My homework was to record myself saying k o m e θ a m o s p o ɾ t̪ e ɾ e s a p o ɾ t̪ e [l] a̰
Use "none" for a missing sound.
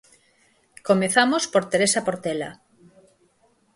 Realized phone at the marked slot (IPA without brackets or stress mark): l